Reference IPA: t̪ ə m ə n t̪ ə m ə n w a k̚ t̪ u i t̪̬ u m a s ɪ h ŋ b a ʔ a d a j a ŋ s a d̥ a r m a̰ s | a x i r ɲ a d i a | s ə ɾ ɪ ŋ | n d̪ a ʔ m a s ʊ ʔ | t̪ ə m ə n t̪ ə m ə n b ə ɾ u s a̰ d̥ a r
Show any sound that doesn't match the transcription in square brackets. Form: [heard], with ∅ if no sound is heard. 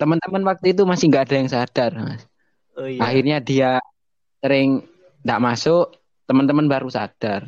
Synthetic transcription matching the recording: t̪ ə m ə n t̪ ə m ə n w a k̚ t̪ u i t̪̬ u m a s ɪ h ŋ [ɡ] a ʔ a d a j a ŋ s a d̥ a r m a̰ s | a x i r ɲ a d i a | s ə ɾ ɪ ŋ | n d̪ a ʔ m a s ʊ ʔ | t̪ ə m ə n t̪ ə m ə n b [a] ɾ u s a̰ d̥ a r